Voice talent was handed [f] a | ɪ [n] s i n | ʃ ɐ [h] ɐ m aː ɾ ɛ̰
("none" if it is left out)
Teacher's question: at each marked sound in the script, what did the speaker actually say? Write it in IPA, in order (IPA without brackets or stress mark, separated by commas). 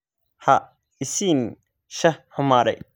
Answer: h, none, h